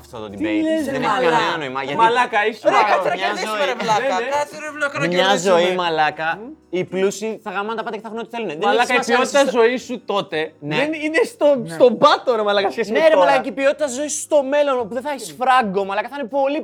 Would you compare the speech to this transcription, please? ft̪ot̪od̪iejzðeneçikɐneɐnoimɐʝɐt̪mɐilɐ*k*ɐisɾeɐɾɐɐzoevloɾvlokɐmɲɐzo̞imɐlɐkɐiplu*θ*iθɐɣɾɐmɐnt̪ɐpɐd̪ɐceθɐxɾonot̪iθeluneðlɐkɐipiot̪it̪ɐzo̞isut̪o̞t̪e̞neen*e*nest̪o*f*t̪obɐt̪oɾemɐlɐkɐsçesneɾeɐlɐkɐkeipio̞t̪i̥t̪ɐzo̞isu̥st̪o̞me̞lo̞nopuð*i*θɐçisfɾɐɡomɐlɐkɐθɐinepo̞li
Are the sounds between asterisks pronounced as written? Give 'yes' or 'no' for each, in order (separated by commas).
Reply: yes, no, no, no, no